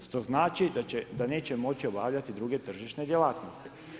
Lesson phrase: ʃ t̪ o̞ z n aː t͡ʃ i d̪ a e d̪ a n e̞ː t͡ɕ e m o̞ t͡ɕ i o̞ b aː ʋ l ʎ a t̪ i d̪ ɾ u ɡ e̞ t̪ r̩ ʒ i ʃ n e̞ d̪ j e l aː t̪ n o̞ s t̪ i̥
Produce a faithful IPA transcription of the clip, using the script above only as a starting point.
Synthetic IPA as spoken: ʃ t̪ o̞ z n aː t͡ʃ i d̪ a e d̪ a n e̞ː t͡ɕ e m o̞ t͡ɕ i o̞ b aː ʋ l ʎ a t̪ i d̪ ɾ u ɡ e̞ t̪ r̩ ʒ i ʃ n e̞ d̪ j e l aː t̪ n o̞ s t̪ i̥